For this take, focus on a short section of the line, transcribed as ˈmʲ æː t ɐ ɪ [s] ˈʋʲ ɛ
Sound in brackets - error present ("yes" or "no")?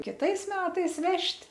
no